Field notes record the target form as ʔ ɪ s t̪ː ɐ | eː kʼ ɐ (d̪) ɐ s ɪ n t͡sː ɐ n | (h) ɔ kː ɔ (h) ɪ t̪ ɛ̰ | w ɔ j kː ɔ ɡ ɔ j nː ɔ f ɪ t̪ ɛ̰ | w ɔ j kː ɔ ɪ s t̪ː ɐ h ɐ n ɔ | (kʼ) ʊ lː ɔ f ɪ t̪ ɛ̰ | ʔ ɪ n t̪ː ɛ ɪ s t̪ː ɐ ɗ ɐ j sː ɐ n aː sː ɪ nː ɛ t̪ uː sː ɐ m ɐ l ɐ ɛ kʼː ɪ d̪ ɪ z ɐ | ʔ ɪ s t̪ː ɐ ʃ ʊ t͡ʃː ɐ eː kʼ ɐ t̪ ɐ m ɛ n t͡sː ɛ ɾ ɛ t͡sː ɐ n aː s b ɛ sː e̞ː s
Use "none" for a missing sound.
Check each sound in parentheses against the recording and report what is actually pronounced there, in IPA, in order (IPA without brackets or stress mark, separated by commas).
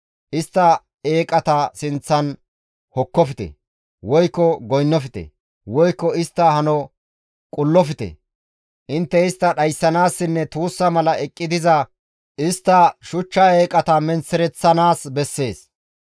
t̪, h, f, kʼ